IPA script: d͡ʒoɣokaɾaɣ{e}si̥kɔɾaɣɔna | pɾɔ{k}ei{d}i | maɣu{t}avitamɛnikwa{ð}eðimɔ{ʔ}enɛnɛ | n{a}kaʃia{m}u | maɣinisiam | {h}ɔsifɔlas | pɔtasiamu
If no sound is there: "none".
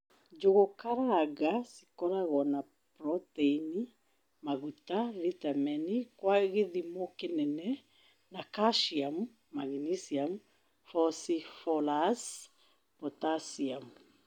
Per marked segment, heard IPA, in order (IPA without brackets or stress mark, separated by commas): a, t, n, t, ɣ, k, a, m, f